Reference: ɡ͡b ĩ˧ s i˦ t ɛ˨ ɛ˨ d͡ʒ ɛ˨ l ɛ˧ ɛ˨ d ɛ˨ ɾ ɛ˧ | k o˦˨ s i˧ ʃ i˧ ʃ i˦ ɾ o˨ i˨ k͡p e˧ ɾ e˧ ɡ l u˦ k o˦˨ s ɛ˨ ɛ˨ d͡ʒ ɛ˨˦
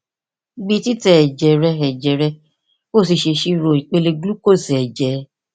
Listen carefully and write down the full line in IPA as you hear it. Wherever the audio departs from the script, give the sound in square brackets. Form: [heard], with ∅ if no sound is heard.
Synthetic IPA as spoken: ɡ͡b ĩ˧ [t] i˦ t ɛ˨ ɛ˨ d͡ʒ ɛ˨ [ɾ] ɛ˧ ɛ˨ [d͡ʒ] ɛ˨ ɾ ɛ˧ | k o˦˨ s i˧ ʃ [e˧] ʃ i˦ ɾ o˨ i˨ k͡p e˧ [l] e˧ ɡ l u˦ k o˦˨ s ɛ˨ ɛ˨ d͡ʒ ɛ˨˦